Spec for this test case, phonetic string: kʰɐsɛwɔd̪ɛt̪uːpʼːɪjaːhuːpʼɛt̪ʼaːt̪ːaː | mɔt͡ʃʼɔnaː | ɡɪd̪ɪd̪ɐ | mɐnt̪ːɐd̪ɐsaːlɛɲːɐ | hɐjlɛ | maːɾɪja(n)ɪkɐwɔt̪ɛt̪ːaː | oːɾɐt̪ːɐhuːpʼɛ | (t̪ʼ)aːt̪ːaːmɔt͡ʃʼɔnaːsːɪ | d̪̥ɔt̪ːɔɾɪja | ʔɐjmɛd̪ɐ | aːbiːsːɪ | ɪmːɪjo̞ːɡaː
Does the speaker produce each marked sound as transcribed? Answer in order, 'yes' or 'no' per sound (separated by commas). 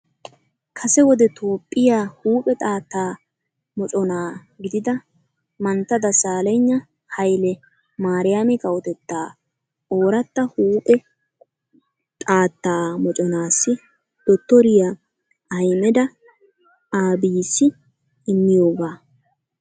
no, yes